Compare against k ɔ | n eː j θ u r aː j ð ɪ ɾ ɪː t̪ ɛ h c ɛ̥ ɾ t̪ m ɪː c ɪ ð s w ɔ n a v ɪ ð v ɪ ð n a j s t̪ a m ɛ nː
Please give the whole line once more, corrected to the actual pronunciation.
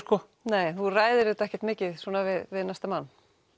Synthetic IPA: k ɔ | n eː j θ u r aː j ð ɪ ɾ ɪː t̪ ɛ h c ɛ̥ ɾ t̪ m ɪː c ɪ ð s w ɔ n a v ɪ ð v ɪ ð n a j s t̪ a m a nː